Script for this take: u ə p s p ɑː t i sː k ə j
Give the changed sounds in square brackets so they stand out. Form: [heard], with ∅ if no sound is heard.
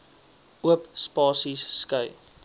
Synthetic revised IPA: u ə p s p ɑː [s] i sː k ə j

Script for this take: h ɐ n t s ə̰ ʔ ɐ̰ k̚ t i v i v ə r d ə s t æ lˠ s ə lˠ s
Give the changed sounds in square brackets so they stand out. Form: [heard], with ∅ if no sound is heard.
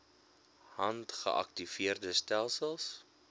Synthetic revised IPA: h ɐ n t [χ] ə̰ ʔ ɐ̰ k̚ t i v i [∅] ə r d ə s t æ lˠ s ə lˠ s

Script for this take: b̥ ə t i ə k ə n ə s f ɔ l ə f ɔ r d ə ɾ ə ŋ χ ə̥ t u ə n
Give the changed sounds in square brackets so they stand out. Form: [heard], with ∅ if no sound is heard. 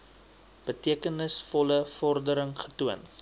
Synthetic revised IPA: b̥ ə t i ə k ə n ə s f ɔ l ə f ɔ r d ə ɾ ə ŋ χ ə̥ t u ə n

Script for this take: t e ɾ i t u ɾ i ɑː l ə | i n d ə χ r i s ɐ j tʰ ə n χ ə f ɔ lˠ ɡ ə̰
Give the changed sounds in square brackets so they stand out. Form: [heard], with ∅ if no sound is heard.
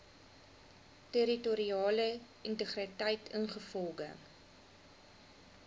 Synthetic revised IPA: t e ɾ i t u ɾ i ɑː l ə | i n [t] ə χ r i [t] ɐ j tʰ ə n χ ə f ɔ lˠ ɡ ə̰

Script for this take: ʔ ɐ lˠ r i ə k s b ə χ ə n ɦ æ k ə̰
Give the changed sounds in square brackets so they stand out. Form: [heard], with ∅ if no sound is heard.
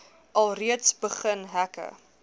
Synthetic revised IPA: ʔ ɐ lˠ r i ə [t] s b ə χ ə n ɦ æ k ə̰

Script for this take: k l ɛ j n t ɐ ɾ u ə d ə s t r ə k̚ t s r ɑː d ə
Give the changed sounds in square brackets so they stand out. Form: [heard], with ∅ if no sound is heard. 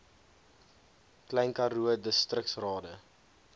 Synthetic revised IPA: k l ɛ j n [k] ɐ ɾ u ə d ə s t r ə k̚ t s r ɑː d ə

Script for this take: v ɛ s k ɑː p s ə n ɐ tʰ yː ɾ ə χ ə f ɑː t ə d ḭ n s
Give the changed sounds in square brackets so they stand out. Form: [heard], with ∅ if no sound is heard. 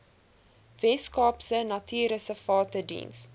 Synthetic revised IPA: v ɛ s k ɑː p s ə n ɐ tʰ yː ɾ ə [s] ə f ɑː t ə d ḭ n s

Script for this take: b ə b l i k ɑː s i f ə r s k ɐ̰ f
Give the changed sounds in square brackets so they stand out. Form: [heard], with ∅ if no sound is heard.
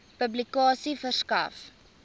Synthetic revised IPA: [p] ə b l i k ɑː s i f ə r s k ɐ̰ f

